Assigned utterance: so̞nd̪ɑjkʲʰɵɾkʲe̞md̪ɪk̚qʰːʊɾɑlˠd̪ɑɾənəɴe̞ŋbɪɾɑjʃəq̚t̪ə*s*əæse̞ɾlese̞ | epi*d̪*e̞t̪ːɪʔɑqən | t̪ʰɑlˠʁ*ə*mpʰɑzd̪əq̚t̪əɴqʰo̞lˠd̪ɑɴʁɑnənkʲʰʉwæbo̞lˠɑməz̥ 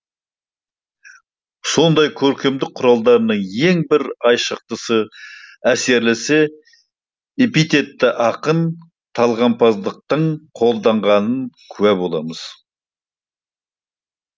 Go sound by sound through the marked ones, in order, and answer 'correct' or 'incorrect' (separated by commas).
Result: correct, incorrect, incorrect